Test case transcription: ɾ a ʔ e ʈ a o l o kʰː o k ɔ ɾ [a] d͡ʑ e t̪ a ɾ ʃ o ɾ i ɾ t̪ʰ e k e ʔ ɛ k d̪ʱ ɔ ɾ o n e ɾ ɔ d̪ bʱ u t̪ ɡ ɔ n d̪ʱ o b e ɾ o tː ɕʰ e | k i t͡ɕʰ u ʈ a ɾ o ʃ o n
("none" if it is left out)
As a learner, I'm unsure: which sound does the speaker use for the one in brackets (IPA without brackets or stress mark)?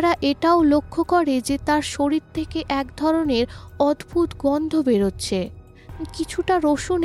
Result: e